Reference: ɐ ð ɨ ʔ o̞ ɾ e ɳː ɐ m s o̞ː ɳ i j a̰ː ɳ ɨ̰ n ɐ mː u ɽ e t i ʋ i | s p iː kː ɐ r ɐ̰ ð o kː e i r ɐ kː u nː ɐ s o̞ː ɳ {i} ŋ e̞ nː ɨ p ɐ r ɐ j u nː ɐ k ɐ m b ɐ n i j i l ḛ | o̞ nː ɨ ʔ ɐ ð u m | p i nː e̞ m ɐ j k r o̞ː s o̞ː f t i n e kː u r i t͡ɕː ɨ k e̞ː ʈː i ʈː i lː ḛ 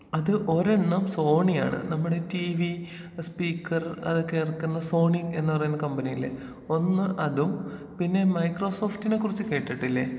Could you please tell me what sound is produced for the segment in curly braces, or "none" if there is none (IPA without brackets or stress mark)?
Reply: i